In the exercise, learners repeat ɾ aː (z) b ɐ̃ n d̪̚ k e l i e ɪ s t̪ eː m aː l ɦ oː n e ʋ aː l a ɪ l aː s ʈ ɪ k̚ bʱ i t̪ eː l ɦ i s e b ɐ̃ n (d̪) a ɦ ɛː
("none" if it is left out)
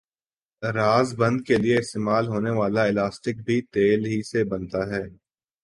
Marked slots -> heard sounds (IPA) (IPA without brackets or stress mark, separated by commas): z, t̪